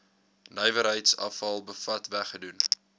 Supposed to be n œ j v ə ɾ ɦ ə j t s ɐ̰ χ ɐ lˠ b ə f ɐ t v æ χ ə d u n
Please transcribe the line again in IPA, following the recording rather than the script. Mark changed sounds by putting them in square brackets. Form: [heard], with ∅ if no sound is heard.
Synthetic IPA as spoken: n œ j v ə ɾ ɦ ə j t s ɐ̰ [f] ɐ lˠ b ə f ɐ t v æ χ ə d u n